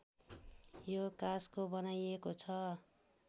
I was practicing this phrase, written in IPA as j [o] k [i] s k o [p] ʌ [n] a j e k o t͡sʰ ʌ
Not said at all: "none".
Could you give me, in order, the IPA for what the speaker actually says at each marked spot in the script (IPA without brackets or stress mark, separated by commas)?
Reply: o, a, b, n